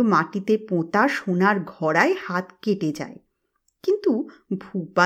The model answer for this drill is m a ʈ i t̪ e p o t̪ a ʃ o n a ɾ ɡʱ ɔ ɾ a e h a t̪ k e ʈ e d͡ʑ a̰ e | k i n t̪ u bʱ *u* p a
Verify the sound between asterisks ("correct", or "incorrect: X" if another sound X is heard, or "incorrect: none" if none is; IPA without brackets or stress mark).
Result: correct